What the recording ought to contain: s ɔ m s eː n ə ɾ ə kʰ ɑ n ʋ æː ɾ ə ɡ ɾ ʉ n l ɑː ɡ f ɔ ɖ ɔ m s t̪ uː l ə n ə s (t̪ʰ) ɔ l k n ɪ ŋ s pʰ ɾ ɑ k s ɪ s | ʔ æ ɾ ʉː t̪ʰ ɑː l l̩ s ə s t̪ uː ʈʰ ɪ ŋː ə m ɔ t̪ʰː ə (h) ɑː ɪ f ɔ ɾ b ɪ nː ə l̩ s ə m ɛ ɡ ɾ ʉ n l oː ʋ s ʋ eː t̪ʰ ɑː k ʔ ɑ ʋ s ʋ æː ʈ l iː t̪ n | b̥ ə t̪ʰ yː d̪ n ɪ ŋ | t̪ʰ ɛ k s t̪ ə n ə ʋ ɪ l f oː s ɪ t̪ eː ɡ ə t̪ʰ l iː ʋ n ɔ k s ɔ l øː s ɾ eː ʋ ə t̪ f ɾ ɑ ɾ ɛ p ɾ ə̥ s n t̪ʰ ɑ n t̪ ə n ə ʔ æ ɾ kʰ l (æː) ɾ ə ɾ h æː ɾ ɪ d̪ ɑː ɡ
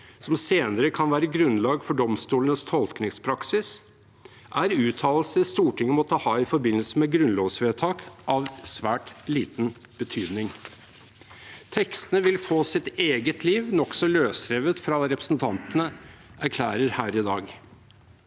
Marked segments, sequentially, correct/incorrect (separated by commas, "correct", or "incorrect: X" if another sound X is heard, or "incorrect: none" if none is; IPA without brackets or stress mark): correct, correct, correct